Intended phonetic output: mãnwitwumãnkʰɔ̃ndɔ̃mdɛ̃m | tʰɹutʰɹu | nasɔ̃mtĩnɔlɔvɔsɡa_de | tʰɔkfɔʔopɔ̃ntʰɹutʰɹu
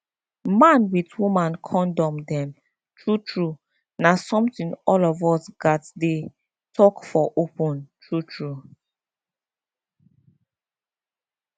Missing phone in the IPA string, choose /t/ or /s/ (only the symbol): t